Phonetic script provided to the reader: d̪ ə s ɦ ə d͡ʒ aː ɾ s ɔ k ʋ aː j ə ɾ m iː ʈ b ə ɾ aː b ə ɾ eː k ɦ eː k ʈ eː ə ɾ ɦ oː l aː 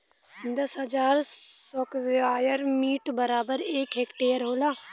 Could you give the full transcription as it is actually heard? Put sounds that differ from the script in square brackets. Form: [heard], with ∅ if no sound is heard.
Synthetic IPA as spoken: d̪ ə s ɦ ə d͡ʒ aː ɾ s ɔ k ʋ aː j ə ɾ m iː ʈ b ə ɾ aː b ə ɾ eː k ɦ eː k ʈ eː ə ɾ ɦ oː l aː

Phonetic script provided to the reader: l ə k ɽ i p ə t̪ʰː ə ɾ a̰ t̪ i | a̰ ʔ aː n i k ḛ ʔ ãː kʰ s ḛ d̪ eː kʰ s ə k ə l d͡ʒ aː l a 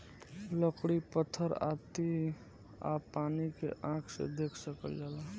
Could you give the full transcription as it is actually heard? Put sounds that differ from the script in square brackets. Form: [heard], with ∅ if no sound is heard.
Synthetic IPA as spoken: l ə k ɽ i p ə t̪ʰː ə ɾ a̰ t̪ i | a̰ [p] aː n i k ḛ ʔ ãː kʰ s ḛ d̪ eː kʰ s ə k ə l d͡ʒ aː l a

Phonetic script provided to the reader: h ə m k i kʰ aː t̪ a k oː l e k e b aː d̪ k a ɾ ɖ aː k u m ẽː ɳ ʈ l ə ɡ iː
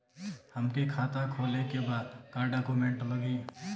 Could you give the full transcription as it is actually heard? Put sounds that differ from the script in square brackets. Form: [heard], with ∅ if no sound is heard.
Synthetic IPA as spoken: h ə m k i kʰ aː t̪ a [kʰ] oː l e k e b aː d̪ k a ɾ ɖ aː k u m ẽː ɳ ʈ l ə ɡ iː

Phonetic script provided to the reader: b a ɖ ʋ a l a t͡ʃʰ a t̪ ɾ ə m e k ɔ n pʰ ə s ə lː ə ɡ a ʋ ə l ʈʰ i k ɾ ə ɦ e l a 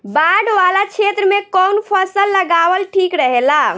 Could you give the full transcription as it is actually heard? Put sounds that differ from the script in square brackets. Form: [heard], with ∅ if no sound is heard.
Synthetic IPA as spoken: b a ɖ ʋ a l a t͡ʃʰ [e] t̪ ɾ ə m e k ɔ n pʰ ə s ə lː ə ɡ a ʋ ə l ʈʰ i k ɾ ə ɦ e l a

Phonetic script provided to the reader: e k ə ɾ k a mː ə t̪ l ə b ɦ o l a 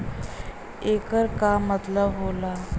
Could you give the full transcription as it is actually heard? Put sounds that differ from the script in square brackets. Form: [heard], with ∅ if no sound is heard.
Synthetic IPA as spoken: e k ə ɾ k a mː ə t̪ l ə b ɦ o l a

